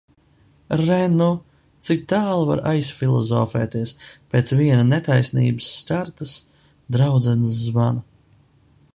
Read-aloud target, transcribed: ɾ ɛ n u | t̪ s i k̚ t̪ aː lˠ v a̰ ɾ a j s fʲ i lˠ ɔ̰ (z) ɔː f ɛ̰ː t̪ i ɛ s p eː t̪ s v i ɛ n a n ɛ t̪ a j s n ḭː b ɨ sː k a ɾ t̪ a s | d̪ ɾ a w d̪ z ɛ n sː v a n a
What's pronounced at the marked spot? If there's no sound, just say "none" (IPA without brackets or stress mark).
z